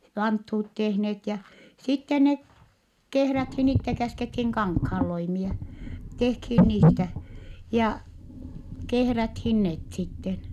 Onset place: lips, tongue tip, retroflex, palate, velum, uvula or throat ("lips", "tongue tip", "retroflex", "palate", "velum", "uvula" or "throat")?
lips